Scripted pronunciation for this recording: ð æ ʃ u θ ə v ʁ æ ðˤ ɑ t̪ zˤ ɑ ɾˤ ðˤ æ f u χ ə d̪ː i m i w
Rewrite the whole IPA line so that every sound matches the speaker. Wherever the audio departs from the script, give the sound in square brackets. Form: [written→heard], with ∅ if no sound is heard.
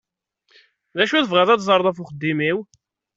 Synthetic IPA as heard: ð æ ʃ u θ ə v ʁ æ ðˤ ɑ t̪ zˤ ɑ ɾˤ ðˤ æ f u χ ə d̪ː i m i w